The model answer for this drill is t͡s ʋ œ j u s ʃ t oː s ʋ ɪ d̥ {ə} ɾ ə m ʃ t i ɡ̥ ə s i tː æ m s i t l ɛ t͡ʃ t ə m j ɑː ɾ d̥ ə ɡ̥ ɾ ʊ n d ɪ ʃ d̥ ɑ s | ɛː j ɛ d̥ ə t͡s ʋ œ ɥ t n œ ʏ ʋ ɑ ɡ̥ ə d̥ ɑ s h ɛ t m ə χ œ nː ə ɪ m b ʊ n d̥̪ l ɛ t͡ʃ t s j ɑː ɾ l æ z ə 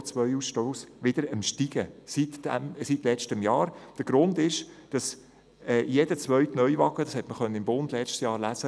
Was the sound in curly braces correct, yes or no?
yes